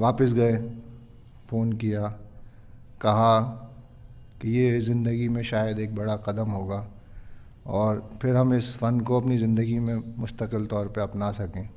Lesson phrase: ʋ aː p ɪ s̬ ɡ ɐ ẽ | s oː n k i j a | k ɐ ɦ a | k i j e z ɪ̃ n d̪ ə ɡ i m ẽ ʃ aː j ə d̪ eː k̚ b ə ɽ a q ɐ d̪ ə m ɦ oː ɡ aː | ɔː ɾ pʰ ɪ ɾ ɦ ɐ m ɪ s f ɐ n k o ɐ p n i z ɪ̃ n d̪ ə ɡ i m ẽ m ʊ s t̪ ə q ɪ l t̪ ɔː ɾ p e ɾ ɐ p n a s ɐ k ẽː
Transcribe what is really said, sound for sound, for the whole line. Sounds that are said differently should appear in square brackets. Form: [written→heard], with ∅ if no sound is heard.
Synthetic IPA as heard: ʋ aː p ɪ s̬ ɡ ɐ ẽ | [s→f] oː n k i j a | k ɐ ɦ a | k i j e z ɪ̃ n d̪ ə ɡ i m ẽ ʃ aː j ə d̪ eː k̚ b [ə→ɐ] ɽ a q ɐ d̪ ə m ɦ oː ɡ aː | ɔː ɾ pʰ ɪ ɾ ɦ ɐ m ɪ s f ɐ n k o ɐ p n i z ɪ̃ n d̪ ə ɡ i m ẽ m ʊ s t̪ ə q ɪ l t̪ ɔː ɾ p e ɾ ɐ p n a s ɐ k ẽː